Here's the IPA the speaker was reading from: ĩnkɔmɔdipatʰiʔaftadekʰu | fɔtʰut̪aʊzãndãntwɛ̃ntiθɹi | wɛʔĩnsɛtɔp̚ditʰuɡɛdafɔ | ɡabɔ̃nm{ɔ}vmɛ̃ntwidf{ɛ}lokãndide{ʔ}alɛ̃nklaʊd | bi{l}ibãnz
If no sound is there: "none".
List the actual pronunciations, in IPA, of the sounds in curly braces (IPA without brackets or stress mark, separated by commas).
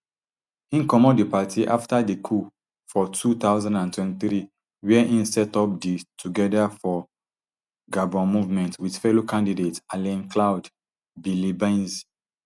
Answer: u, ɛ, t, l